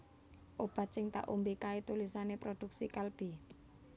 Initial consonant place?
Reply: glottal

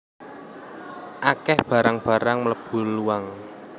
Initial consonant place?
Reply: glottal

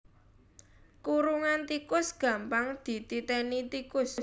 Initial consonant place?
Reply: velar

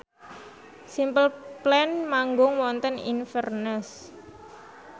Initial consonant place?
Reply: alveolar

